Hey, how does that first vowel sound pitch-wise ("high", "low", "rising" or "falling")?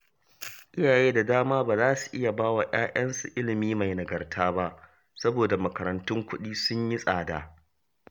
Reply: high